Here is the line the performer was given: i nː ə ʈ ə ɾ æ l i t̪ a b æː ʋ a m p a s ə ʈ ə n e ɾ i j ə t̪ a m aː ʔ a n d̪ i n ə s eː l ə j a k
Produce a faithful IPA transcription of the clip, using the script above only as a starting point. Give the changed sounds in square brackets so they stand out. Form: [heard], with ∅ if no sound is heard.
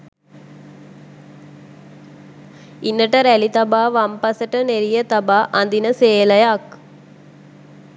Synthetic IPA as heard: i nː ə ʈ ə ɾ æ l i t̪ a b [aː] ʋ a m p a s ə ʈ ə n e ɾ i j ə t̪ a [b] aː ʔ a n d̪ i n ə s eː l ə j a k